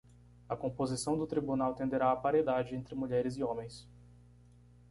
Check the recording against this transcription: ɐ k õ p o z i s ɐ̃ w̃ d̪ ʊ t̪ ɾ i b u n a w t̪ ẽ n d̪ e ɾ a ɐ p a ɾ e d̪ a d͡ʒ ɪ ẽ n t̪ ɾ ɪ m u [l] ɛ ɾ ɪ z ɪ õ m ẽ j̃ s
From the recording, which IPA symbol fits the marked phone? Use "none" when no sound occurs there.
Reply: ʎ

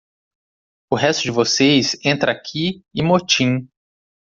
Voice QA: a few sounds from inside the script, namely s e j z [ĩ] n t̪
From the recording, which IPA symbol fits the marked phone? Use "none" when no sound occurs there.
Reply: ẽ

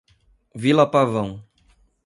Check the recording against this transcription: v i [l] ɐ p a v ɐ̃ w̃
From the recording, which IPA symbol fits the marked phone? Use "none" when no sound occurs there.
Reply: l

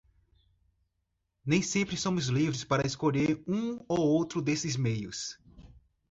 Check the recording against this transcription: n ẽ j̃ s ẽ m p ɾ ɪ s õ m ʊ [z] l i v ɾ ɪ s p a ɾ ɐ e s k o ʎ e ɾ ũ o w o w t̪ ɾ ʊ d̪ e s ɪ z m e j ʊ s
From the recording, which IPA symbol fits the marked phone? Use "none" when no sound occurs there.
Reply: z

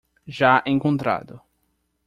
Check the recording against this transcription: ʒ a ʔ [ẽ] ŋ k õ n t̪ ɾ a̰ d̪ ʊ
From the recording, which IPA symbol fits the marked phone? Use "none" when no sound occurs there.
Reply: ẽ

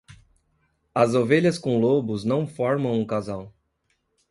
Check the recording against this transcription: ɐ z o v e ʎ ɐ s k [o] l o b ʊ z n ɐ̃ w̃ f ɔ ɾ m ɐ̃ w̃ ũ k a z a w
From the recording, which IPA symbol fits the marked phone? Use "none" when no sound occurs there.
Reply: õ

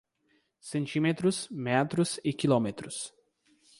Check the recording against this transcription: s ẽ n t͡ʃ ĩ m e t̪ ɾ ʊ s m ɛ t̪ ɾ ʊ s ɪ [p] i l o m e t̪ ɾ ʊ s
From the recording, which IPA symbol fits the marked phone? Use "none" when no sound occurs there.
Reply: k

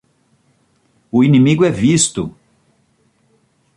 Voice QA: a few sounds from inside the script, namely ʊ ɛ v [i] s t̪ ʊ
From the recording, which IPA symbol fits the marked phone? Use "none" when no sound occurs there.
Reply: i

